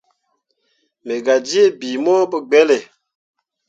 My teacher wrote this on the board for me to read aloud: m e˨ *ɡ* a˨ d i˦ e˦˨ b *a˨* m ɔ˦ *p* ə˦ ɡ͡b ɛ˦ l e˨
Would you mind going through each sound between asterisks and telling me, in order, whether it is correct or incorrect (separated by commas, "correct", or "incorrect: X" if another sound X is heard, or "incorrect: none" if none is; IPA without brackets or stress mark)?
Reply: correct, incorrect: i˨, incorrect: b